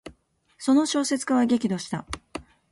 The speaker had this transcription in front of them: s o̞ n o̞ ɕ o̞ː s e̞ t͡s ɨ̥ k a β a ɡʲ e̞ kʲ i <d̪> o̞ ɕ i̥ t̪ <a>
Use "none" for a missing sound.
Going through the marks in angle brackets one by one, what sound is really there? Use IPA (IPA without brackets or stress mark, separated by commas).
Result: d̪, a